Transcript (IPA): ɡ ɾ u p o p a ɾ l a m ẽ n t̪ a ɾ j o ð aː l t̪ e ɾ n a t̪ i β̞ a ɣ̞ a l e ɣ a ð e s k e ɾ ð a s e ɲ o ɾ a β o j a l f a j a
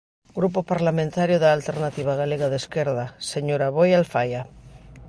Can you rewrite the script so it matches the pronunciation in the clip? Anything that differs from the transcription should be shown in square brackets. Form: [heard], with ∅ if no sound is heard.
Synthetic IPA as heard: ɡ ɾ u p o p a ɾ l a m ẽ n t̪ a ɾ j o ð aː l t̪ e ɾ n a t̪ i β̞ a ɣ̞ a l e ɣ a ð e s k e ɾ ð a s e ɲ o ɾ a β o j a l f a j a